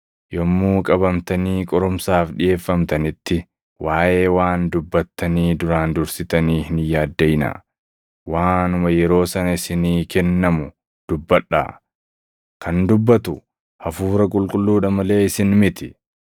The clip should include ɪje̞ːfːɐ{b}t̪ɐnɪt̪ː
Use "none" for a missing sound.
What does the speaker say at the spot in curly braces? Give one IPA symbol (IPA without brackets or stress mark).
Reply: m